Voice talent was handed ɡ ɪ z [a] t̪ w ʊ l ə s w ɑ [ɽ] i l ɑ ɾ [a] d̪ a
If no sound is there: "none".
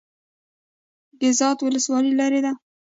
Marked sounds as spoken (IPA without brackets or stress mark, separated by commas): ɑ, l, e